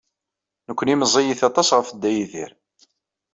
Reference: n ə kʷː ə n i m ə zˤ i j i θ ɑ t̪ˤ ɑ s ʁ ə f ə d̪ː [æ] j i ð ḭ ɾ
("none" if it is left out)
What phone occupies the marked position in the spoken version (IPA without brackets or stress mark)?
æ